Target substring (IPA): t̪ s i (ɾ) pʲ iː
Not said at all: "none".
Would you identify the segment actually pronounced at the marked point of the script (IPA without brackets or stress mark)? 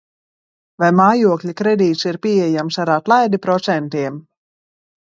ɾ